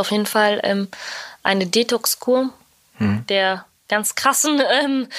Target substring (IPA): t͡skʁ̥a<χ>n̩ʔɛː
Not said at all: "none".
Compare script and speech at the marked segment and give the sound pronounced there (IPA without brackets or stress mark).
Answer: s